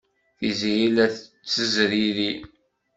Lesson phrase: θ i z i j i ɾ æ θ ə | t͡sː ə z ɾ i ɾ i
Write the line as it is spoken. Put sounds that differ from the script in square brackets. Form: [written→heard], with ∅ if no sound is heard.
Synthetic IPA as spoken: θ i z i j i [ɾ→l] æ θ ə | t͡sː ə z ɾ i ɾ i